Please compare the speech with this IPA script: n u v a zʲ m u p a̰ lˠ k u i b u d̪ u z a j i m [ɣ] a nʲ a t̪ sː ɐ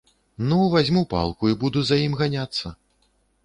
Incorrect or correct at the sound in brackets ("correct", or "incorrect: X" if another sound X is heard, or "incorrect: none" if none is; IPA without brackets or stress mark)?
correct